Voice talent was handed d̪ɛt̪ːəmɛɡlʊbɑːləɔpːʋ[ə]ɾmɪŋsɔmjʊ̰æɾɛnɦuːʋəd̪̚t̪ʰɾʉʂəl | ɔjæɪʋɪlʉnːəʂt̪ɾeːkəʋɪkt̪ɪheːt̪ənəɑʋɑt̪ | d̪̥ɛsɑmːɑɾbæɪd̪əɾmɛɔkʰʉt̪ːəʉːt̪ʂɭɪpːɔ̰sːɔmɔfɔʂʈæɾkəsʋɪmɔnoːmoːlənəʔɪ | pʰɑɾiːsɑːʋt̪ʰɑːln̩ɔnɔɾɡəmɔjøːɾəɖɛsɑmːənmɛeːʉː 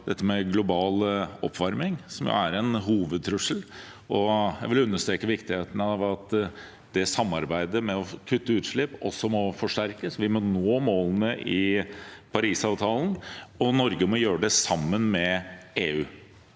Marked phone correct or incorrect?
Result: incorrect